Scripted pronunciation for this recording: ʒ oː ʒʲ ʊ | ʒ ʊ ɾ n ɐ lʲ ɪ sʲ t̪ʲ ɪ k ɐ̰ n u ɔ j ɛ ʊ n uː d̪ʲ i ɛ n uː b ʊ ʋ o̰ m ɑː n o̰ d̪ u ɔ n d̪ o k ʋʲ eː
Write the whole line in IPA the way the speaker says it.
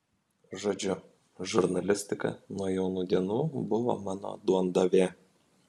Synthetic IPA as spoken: ʒ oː d͡ʒʲ ʊ | ʒ ʊ ɾ n ɐ lʲ ɪ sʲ t̪ʲ ɪ k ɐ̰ n u ɔ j ɛ ʊ n uː d̪ʲ i ɛ n uː b ʊ ʋ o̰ m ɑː n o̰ d̪ u ɔ n d̪ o ʋʲ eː